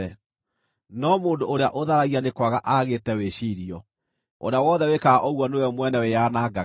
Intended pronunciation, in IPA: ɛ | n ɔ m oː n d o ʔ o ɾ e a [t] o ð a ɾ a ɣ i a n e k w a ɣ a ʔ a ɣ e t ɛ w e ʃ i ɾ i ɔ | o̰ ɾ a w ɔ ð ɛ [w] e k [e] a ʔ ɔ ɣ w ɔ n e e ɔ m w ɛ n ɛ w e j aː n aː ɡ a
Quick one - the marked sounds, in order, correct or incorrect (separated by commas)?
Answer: incorrect, correct, incorrect